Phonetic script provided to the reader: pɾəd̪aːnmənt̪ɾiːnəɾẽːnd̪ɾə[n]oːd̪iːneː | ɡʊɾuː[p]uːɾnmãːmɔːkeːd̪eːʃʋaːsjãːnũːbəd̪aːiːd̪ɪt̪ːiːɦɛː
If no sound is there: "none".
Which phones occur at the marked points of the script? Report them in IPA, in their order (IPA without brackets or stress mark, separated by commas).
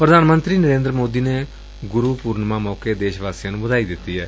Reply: m, p